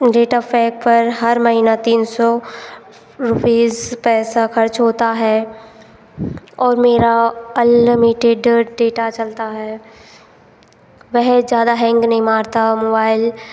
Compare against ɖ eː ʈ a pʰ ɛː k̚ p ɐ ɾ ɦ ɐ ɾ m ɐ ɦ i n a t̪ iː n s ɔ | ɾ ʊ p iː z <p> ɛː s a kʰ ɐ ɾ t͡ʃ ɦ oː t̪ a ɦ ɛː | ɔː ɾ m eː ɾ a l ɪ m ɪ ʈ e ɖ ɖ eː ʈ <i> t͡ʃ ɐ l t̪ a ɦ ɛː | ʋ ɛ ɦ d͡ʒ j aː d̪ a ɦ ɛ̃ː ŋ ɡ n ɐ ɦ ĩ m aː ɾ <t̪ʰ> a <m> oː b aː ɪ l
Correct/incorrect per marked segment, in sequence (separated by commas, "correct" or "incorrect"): correct, incorrect, incorrect, correct